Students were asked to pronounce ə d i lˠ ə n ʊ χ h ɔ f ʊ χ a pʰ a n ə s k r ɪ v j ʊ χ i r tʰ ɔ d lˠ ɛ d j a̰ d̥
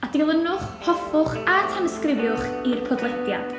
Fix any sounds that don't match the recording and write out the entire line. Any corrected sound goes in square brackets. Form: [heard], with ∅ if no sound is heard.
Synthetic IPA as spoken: [a] d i lˠ ə n ʊ χ h ɔ f ʊ χ a [tʰ] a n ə s k r ɪ v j ʊ χ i r [pʰ] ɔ d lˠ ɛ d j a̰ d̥